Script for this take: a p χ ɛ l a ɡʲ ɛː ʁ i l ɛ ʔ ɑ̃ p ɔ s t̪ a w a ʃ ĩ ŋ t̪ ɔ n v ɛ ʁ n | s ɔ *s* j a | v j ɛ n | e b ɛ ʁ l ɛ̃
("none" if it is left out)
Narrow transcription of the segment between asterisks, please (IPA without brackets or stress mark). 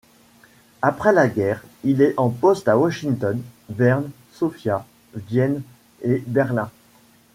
f